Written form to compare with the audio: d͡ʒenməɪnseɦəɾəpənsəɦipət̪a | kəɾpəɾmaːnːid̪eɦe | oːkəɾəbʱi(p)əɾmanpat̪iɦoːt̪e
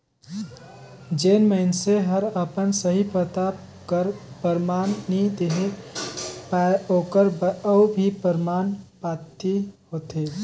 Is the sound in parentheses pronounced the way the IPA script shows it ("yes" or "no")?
yes